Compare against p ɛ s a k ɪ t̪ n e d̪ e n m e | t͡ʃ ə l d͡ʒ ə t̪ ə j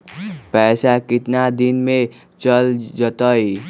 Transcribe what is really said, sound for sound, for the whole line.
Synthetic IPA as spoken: p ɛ s a k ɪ t̪ n a d̪ i n m e | t͡ʃ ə l d͡ʒ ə t̪ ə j